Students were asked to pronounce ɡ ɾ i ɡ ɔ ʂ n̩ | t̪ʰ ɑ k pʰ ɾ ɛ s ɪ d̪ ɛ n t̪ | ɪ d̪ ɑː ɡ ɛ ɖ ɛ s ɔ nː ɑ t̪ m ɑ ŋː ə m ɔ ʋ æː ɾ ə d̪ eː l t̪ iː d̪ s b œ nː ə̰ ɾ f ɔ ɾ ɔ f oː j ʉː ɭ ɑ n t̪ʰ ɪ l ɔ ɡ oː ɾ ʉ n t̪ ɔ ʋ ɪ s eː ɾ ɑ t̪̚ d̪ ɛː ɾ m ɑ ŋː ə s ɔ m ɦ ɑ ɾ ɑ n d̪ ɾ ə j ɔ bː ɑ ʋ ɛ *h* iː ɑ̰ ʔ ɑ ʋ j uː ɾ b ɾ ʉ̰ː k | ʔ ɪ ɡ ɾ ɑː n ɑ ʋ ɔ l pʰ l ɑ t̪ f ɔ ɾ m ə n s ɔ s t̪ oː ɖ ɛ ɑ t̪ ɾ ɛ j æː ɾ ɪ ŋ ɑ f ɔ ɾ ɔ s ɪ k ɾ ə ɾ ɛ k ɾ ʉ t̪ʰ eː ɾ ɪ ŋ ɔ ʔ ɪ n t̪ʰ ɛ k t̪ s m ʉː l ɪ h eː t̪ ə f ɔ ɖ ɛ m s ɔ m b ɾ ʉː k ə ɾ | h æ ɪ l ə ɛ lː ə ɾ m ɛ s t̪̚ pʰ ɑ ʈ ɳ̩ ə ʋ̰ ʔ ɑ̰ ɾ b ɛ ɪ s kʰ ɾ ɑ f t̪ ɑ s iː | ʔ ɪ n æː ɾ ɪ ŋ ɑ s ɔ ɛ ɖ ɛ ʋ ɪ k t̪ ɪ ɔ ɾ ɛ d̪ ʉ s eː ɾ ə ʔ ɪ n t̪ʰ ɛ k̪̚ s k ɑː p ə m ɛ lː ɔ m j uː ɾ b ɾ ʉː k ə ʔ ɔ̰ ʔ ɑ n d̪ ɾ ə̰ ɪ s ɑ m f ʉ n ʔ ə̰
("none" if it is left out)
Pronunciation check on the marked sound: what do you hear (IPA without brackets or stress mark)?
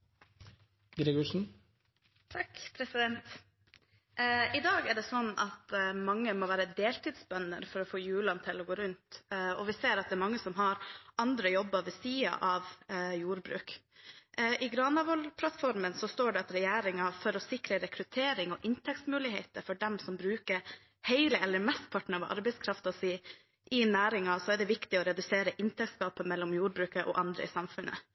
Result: s